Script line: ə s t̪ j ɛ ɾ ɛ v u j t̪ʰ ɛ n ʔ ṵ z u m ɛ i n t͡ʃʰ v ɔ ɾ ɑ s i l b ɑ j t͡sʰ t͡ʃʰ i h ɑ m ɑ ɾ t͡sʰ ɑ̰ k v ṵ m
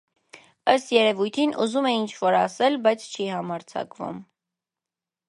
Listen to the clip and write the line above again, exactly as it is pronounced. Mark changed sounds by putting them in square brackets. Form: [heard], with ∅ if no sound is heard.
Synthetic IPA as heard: ə s t̪ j ɛ ɾ ɛ v u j t̪ʰ [i] n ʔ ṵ z u m ɛ i n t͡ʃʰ v ɔ ɾ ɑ s [ɛ] l b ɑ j t͡sʰ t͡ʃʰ i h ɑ m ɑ ɾ t͡sʰ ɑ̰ k v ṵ m